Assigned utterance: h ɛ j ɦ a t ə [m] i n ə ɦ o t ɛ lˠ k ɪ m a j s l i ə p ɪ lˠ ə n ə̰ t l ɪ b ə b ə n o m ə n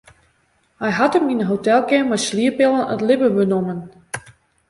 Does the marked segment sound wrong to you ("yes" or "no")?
no